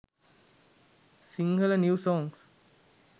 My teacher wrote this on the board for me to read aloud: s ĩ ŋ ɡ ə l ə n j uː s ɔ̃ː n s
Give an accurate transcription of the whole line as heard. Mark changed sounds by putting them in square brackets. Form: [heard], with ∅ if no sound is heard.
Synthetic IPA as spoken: s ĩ ŋ ɡ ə l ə n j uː s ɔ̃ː [ŋ] s